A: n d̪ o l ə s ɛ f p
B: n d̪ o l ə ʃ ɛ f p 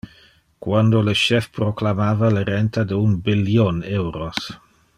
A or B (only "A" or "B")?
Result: B